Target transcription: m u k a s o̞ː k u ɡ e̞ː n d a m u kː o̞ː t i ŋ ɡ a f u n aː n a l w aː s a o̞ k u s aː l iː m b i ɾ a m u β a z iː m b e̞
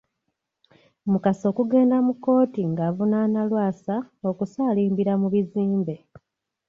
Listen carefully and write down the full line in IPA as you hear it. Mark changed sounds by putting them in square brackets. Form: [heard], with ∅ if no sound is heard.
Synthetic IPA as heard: m u k a s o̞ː k u ɡ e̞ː n d a m u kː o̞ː t i ŋ ɡ a [v] u n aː n a l w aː s a o̞ k u s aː l iː m b i ɾ a m u β [i] z iː m b e̞